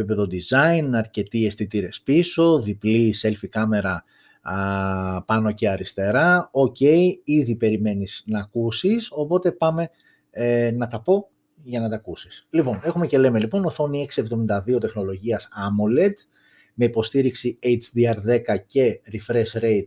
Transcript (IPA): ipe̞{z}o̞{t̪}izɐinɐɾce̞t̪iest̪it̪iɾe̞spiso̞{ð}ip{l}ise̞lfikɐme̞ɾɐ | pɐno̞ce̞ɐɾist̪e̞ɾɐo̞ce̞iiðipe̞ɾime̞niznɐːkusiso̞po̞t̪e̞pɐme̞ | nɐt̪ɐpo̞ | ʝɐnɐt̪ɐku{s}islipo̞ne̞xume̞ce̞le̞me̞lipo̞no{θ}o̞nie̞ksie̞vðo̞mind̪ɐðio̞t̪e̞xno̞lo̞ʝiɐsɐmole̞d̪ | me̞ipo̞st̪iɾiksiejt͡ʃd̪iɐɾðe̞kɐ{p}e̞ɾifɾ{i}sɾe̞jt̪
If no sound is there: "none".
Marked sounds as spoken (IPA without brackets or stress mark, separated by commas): ð, d̪, ð, l, s, θ, c, e